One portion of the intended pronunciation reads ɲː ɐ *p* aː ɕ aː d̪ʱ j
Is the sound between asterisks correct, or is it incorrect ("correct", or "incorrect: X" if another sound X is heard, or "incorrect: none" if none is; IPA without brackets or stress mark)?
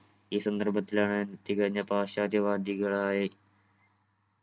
correct